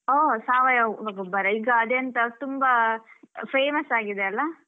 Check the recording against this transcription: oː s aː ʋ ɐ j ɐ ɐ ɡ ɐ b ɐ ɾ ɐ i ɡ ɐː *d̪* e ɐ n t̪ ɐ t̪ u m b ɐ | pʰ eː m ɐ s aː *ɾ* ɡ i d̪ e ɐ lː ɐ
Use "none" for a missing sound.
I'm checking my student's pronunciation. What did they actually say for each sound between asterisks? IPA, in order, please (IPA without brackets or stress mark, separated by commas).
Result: d̪, none